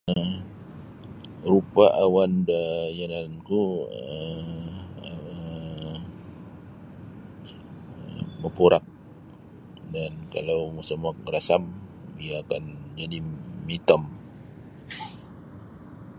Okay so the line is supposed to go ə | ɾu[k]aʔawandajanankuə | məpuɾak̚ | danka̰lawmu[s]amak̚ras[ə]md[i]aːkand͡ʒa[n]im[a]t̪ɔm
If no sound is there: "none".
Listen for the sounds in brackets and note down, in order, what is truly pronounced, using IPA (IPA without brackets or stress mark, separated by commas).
p, s, a, i, d, i